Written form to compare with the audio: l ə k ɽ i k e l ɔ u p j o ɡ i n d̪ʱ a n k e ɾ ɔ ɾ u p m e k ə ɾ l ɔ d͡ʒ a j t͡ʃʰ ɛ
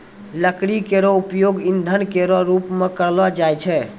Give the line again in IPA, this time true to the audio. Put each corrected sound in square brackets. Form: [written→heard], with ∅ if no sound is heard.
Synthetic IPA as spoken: l ə k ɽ i k e [l→ɾ] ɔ u p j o ɡ i n d̪ʱ [a→ə] n k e ɾ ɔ ɾ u p m e k ə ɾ l ɔ d͡ʒ a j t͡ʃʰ ɛ